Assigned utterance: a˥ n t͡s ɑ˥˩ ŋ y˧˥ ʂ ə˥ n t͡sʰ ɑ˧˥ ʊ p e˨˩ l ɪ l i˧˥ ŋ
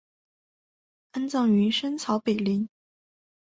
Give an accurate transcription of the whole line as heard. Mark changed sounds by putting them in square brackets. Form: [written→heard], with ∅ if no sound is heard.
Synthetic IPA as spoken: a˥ n t͡s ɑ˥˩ ŋ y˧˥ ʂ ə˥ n t͡sʰ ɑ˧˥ ʊ p e˨˩ [l→∅] ɪ l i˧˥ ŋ